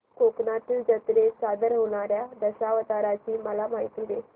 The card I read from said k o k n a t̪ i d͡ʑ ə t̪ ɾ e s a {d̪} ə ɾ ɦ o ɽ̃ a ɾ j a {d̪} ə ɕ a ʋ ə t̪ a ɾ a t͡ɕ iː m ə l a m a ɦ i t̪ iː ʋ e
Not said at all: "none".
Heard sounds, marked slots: d̪, d̪

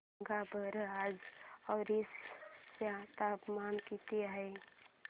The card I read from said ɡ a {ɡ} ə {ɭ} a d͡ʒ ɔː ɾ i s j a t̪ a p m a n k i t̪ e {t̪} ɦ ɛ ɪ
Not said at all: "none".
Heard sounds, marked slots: b, ɾ, none

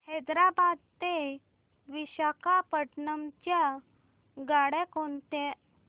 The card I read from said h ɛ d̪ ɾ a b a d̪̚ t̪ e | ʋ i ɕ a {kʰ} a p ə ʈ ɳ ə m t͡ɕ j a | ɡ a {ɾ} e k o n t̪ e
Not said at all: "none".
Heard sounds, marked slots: k, ɽ

